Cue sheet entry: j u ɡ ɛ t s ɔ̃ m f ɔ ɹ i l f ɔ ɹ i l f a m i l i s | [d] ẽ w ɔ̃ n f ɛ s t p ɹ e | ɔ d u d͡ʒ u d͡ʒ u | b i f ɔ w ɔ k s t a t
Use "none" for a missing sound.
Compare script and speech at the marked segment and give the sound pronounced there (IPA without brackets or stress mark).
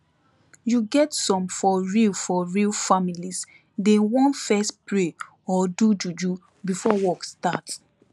d